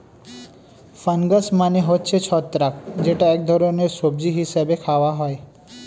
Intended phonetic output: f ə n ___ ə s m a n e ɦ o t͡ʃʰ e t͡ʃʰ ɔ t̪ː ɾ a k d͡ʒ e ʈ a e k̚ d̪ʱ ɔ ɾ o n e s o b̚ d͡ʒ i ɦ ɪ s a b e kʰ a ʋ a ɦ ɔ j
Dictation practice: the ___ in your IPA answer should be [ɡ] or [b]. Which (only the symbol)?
ɡ